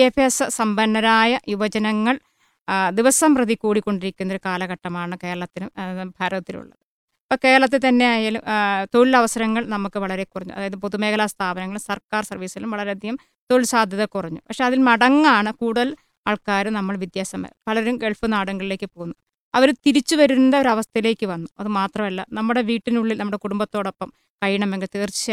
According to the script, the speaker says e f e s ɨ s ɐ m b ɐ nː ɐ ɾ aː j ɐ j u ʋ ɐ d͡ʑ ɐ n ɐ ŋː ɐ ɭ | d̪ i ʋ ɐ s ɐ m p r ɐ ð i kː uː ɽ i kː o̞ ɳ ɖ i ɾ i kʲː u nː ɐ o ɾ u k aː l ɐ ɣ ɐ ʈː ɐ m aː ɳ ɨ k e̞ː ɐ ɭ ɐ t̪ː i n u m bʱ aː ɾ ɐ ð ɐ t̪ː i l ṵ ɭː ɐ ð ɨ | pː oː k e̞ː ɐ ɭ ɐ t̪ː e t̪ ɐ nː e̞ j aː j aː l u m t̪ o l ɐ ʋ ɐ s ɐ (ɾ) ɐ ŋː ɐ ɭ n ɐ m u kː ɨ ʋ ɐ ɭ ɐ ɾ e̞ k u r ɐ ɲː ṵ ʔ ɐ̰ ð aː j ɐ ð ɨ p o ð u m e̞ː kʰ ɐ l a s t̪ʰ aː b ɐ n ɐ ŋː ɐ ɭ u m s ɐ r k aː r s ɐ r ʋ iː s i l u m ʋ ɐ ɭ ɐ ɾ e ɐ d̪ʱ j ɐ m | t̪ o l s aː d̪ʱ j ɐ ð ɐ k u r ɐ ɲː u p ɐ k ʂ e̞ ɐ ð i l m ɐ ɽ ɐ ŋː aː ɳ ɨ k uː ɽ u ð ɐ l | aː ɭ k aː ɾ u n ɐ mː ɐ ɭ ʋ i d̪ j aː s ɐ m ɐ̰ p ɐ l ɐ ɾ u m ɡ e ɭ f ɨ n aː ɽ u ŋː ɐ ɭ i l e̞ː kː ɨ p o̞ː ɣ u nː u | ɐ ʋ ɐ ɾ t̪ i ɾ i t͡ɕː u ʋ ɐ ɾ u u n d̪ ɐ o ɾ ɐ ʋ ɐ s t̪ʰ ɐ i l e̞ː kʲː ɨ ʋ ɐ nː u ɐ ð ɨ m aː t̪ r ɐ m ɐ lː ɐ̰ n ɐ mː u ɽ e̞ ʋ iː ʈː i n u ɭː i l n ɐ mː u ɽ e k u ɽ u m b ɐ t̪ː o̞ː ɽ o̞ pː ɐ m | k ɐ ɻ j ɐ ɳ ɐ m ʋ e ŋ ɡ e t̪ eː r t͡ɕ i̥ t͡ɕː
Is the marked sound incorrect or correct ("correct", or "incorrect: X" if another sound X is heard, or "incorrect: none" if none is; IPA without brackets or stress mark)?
correct